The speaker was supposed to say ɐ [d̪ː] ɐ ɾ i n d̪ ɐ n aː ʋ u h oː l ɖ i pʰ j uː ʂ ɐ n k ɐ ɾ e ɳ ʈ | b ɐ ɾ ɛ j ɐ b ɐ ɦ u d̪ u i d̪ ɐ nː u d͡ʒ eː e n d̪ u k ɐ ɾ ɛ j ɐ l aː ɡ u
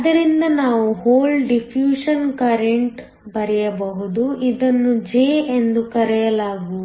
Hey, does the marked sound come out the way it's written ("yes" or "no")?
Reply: no